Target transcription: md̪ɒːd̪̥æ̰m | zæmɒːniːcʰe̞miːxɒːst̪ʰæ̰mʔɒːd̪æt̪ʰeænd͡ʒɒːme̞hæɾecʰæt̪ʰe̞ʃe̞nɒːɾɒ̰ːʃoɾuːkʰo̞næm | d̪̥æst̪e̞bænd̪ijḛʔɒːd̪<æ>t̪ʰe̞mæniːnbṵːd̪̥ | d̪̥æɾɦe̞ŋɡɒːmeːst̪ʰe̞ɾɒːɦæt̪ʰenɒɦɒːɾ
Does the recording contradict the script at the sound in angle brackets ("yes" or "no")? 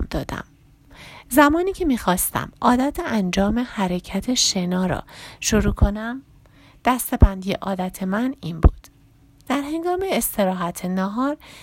no